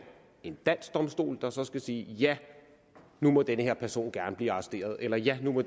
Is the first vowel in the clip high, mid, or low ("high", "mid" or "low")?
mid